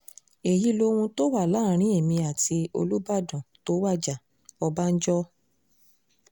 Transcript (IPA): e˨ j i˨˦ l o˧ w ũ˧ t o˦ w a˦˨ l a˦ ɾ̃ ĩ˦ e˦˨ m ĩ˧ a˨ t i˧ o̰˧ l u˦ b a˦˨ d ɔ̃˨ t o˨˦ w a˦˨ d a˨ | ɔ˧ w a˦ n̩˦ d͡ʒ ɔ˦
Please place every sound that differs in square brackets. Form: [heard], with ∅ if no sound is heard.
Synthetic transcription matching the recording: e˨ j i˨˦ l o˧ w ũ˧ t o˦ w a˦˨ l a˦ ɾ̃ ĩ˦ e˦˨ m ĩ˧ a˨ t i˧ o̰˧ l u˦ b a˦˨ d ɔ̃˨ t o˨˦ w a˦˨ [d͡ʒ] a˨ | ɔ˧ [b] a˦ n̩˦ d͡ʒ ɔ˦